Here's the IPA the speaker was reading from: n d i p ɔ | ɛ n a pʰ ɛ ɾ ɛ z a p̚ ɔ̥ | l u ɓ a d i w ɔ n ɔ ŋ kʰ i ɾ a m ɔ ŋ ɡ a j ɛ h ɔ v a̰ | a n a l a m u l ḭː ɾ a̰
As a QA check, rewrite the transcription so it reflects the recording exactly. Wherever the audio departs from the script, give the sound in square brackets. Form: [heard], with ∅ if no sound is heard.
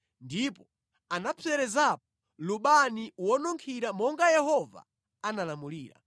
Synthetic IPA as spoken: n d i p ɔ | [a] n a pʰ ɛ ɾ ɛ z a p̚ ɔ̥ | l u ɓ a [n] i w ɔ n ɔ ŋ kʰ i ɾ a m ɔ ŋ ɡ a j ɛ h ɔ v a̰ | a n a l a m u l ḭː ɾ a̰